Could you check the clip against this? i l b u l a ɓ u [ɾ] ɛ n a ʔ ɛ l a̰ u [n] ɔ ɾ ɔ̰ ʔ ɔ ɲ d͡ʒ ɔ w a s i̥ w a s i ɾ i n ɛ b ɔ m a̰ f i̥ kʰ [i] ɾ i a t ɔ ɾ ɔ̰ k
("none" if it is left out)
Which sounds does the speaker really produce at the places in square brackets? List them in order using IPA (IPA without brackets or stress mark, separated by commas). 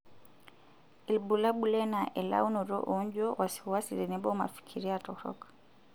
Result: l, n, i